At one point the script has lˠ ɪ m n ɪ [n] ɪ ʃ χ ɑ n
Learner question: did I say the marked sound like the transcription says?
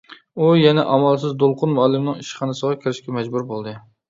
no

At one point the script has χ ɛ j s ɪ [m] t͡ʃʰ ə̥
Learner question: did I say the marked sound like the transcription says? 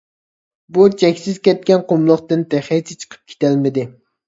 no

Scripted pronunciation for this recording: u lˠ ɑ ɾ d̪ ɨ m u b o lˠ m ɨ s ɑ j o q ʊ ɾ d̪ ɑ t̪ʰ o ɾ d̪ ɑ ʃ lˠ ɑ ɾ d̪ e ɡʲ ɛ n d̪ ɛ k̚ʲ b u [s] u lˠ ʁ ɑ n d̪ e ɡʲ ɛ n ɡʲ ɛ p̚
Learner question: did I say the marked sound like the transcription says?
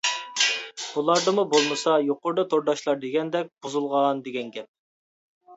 no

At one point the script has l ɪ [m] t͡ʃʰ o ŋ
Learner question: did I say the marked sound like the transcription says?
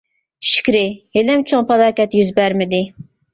yes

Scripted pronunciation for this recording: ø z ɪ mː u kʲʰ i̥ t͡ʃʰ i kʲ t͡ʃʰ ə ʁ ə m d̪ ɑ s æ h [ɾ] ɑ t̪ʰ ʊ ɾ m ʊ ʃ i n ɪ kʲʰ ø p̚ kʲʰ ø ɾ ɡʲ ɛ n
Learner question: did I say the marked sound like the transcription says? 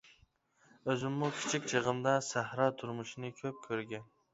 yes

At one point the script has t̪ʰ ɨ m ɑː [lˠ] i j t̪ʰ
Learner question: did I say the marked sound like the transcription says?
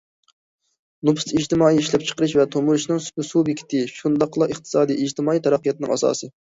no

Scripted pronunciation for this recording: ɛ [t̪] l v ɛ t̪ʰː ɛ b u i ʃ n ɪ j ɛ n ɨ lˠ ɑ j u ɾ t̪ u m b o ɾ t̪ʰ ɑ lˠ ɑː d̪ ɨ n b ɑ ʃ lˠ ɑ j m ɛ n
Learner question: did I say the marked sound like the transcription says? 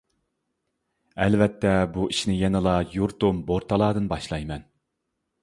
no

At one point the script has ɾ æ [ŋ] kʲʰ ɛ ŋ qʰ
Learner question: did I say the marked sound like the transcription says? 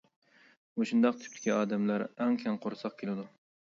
yes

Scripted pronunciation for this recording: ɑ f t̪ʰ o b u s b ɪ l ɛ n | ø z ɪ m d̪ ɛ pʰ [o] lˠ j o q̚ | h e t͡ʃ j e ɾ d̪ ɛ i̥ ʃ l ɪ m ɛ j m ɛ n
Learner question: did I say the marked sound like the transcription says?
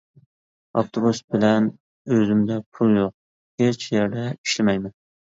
no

